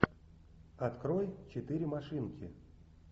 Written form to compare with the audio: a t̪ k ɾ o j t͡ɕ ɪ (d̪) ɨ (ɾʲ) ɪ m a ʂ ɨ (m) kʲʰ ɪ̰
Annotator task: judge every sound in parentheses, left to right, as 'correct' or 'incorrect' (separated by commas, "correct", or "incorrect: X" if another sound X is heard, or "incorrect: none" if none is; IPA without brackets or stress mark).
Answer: incorrect: t̪, correct, incorrect: n